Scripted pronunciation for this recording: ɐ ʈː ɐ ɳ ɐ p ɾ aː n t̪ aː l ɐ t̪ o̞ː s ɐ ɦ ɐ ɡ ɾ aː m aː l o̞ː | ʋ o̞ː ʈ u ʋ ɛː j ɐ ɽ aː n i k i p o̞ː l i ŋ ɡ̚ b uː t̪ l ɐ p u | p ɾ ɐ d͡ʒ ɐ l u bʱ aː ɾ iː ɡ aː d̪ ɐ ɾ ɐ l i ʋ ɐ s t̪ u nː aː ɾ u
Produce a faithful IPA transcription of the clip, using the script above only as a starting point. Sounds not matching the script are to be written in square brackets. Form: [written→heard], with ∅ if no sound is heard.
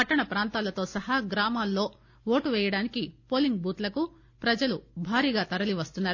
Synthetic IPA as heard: ɐ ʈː ɐ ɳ ɐ p ɾ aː n t̪ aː l ɐ t̪ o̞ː s ɐ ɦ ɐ ɡ ɾ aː m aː [l→lː] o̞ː | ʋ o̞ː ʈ u ʋ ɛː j ɐ ɽ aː n i k i p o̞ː l i ŋ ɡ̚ b uː t̪ l ɐ [p→k] u | p ɾ ɐ d͡ʒ ɐ l u bʱ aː ɾ iː ɡ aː [d̪→t̪] ɐ ɾ ɐ l i ʋ ɐ s t̪ u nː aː ɾ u